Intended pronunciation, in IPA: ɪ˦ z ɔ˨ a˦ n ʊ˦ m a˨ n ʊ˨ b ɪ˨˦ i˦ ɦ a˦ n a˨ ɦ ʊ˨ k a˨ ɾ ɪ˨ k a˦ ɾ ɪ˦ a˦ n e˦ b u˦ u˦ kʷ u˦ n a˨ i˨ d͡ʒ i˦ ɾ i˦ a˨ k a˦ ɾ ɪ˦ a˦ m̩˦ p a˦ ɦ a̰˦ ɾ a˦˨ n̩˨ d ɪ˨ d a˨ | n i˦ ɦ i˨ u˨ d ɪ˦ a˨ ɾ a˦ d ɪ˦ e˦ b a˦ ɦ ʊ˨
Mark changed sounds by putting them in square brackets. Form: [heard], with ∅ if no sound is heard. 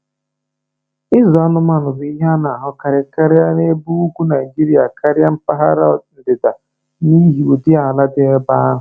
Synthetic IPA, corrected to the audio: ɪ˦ z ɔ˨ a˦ n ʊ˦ m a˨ n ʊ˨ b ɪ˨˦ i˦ ɦ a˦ n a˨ ɦ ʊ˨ k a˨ ɾ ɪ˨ k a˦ ɾ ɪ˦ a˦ n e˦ b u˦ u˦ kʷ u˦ n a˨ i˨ d͡ʒ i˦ ɾ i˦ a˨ k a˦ ɾ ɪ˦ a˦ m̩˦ p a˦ ɦ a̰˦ ɾ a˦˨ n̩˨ d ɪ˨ d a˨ | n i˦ ɦ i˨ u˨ d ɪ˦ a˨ [l] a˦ d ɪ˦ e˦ b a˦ ɦ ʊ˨